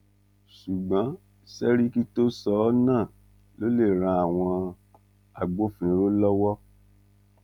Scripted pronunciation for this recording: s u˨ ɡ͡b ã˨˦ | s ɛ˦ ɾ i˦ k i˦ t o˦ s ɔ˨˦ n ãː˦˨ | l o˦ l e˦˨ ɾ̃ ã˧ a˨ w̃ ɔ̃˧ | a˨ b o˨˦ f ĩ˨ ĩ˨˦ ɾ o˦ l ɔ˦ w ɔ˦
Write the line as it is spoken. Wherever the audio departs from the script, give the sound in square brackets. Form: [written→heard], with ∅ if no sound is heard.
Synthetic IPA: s u˨ ɡ͡b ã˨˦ | s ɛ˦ ɾ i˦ k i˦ t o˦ s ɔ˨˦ n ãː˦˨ | l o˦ l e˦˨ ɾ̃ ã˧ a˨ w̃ ɔ̃˧ | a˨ [b→ɡ͡b] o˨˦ f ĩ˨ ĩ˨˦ ɾ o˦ l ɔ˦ w ɔ˦